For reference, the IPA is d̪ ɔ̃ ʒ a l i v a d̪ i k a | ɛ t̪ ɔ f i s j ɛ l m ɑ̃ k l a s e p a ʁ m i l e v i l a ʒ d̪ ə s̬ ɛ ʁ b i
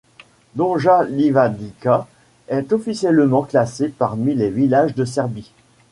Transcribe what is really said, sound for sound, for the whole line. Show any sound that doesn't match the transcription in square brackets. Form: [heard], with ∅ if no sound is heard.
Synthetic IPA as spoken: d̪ ɔ̃ ʒ a l i v a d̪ i k a | ɛ t̪ ɔ f i s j ɛ l m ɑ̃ k l a s e p a ʁ m i l e v i l a ʒ d̪ ə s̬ ɛ ʁ b i